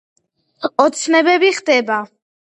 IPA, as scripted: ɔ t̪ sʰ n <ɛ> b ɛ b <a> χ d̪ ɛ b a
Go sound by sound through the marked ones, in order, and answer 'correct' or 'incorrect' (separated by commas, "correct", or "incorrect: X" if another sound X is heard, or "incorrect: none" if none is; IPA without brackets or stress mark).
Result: correct, incorrect: i